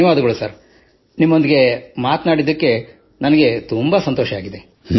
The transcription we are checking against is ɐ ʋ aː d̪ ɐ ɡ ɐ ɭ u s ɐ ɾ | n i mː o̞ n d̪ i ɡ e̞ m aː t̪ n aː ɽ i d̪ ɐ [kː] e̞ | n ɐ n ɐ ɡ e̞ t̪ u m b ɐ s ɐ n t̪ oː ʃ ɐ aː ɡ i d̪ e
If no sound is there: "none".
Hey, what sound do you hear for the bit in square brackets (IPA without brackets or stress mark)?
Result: kː